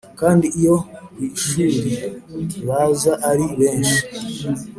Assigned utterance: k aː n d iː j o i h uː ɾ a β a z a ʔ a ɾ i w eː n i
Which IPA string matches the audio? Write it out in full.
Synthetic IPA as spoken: k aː n d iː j o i ʃ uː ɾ i β a z a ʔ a ɾ i β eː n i

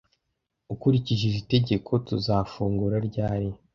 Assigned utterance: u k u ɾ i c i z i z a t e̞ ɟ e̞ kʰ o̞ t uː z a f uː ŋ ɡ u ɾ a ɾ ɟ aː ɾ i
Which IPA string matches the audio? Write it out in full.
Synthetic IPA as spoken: u k u ɾ i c i ʒ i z i t e̞ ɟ e̞ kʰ o̞ t u z a f uː ŋ ɡ u ɾ a ɾ ɟ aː ɾ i

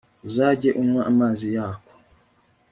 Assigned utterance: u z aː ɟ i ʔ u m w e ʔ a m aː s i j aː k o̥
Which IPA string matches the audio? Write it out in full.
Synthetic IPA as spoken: u z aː ɟ e ʔ u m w a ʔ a m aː z i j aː k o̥

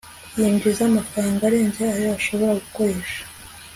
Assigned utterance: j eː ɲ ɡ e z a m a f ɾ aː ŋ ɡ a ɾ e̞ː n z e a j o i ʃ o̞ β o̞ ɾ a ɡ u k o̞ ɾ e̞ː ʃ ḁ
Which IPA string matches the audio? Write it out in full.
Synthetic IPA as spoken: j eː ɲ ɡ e z a m a f ɾ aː ŋ ɡ a ɾ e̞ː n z e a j o a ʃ o̞ β o̞ ɾ a ɡ u k o̞ ɾ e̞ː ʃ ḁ

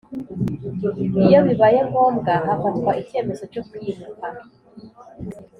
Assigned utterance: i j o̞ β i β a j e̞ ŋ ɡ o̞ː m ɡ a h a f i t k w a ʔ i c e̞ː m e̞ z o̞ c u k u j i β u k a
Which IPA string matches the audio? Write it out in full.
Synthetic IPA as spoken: i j o̞ β i β a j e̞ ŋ ɡ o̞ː m ɡ a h a f a t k w a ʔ i c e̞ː m e̞ z o̞ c o k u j i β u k a

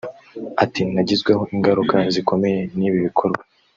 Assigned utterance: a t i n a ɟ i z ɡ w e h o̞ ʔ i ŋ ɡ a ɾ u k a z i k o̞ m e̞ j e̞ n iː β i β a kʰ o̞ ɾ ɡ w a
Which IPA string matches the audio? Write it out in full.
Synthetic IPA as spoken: a t i n a ɟ i z ɡ w e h o̞ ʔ i ŋ ɡ a ɾ u k a z i k o̞ m e̞ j e̞ n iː β i β i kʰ o̞ ɾ ɡ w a

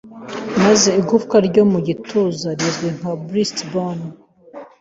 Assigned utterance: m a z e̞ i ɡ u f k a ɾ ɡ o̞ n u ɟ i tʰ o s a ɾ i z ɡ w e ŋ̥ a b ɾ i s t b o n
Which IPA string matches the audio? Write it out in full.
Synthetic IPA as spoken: m a z e̞ i ɡ u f k a ɾ ɟ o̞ m u ɟ i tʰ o z a ɾ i z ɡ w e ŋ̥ a b ɾ i s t b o n

